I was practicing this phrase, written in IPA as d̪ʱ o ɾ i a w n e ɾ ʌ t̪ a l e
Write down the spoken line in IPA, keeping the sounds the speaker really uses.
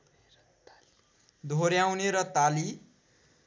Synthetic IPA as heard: d̪ʱ o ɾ j a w n e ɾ ʌ t̪ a l i